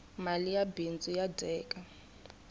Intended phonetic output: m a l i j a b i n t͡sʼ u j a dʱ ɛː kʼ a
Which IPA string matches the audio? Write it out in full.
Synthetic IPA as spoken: m a l i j a b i n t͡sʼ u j a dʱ ɛː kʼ a

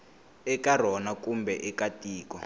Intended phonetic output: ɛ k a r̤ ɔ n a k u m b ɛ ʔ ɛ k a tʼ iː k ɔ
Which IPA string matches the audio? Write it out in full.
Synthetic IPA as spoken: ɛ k a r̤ ɔ n a k u m b ɛ ʔ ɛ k a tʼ iː k ɔ

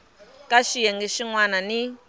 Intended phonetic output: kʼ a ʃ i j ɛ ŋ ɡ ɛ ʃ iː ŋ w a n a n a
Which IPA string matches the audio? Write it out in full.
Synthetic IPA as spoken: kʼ a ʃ i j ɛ ŋ ɡ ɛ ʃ i ŋ w a n a n i

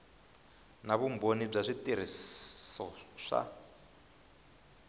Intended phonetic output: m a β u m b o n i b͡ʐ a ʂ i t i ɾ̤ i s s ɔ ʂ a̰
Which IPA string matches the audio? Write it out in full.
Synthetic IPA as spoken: n a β u m b o n i b͡ʐ a ʂ i t i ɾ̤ i s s ɔ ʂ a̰

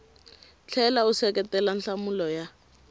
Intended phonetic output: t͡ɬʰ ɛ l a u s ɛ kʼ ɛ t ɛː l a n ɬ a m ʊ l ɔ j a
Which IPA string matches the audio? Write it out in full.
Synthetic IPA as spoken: t͡ɬʰ ɛ l a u s ɛ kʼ ɛ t ɛ l a n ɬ a m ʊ l ɔ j a

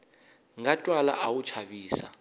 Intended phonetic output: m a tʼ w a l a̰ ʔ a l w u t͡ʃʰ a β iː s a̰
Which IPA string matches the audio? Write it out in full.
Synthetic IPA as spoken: ŋ a tʼ w a l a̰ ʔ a w u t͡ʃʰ a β iː s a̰

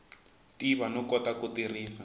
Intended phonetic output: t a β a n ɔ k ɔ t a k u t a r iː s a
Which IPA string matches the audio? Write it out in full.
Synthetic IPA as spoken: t i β a n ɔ k ɔ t a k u t i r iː s a

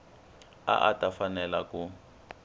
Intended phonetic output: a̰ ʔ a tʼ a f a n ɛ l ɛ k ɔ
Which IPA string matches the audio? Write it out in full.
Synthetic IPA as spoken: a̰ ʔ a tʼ a f a n ɛ l a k u

